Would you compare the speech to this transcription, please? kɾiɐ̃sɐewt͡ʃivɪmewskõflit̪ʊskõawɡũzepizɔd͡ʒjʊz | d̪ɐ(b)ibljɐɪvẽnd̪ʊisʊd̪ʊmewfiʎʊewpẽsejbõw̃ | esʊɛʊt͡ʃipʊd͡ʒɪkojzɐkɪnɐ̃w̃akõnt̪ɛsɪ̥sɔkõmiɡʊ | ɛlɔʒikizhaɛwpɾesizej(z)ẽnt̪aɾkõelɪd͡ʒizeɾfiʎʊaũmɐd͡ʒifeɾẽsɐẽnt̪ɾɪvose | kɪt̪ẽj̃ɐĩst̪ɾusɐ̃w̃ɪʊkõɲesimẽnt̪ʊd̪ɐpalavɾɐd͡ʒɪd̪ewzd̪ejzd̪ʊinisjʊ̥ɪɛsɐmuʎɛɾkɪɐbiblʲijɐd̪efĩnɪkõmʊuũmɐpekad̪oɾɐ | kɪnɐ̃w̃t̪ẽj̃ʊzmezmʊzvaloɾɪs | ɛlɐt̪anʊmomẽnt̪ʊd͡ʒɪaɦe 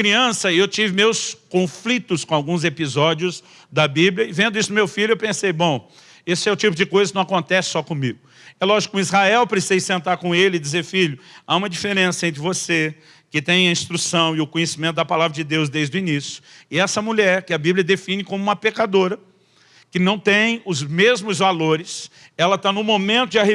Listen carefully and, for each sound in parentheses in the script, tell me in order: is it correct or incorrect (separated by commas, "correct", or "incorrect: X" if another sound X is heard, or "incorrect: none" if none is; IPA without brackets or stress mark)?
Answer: correct, incorrect: s